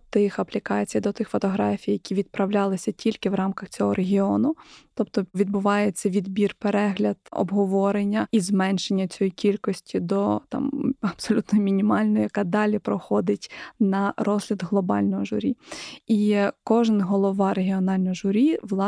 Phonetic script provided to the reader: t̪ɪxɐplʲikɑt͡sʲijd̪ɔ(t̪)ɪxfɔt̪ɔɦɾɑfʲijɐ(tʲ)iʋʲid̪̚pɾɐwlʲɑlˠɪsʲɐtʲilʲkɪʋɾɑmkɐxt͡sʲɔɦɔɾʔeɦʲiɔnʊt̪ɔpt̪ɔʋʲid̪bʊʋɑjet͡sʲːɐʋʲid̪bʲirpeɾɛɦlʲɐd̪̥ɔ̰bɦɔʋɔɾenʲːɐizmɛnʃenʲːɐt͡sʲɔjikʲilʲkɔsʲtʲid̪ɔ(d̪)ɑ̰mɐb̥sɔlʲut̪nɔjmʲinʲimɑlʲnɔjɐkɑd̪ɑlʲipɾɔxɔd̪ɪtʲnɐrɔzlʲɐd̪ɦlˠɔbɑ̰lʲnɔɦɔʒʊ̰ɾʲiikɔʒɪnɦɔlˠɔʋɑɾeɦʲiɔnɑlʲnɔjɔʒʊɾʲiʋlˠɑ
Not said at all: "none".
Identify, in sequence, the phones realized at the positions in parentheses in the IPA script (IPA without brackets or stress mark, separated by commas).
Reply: t̪, kʲ, t̪